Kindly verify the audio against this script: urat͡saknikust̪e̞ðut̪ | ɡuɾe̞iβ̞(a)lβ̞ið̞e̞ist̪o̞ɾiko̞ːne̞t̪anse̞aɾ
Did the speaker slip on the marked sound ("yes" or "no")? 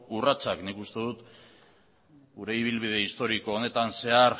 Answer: yes